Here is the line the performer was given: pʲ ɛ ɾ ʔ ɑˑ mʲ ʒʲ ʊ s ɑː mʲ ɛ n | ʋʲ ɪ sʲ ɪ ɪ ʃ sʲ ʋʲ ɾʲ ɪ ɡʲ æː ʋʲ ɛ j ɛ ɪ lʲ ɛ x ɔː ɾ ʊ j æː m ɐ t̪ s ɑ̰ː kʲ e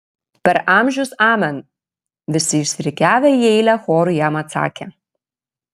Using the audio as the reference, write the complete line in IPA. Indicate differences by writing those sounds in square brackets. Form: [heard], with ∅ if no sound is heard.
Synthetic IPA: pʲ ɛ ɾ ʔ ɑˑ mʲ ʒʲ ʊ s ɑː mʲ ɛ n | ʋʲ ɪ sʲ ɪ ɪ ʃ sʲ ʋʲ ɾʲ ɪ [kʲ] æː ʋʲ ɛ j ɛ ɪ lʲ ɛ x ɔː ɾ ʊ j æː m ɐ t̪ s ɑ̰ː kʲ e